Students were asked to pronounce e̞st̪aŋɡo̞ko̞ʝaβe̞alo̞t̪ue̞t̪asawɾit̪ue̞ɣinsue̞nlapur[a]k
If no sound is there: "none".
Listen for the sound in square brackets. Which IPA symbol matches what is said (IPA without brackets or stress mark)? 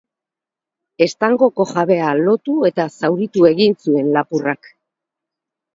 a